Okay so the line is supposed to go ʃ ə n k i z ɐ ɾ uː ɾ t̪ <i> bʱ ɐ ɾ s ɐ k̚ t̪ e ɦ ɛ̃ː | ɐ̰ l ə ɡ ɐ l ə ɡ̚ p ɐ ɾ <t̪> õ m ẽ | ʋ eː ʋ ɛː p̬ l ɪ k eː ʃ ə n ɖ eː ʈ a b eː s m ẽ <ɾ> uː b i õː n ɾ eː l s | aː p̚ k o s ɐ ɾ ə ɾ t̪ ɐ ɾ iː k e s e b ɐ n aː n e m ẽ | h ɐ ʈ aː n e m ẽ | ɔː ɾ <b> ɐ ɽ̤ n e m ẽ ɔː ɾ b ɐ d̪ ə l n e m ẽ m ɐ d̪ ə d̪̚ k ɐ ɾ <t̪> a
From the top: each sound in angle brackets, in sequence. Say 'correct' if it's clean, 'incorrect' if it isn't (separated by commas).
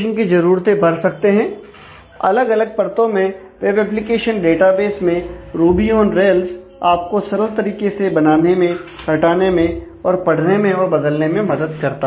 incorrect, correct, correct, incorrect, correct